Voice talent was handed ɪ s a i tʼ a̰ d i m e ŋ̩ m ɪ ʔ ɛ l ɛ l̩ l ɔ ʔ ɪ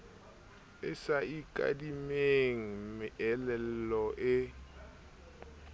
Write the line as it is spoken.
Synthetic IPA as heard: ɪ s a i kʼ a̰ d i m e ŋ̩ m ɪ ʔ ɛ l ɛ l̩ l ɔ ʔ ɪ